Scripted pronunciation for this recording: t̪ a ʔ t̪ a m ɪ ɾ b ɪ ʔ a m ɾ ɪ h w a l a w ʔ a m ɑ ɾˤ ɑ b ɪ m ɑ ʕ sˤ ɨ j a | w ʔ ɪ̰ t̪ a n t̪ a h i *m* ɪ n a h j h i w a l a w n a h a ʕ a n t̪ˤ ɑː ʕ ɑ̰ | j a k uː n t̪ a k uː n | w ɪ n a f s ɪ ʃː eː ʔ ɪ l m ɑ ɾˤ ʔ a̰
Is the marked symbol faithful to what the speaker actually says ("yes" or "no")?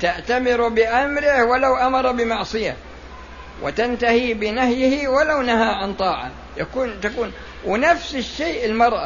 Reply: no